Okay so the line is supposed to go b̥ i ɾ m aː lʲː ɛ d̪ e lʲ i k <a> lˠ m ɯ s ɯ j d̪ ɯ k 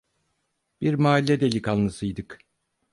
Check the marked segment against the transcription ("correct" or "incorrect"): correct